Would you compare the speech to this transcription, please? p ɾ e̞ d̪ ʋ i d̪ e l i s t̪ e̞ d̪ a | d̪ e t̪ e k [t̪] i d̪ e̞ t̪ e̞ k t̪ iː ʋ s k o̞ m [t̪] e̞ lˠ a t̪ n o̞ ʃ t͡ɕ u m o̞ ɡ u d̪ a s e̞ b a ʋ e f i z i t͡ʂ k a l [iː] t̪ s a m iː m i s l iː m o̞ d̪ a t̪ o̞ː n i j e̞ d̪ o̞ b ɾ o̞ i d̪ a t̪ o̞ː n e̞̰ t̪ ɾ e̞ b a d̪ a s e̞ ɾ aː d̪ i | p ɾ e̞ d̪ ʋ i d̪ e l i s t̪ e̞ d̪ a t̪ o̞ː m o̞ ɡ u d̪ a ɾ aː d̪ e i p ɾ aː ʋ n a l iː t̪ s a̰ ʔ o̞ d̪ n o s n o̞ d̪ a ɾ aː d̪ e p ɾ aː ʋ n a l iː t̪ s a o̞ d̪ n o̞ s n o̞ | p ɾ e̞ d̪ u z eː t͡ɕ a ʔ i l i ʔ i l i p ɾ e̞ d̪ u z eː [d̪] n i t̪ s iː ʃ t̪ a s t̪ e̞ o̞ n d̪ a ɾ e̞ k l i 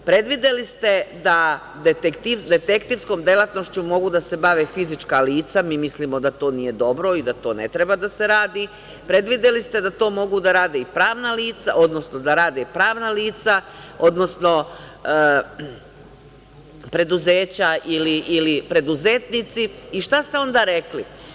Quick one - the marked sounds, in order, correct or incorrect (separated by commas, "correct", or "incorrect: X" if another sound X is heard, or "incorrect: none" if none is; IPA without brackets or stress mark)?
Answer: correct, incorrect: d̪, correct, incorrect: t̪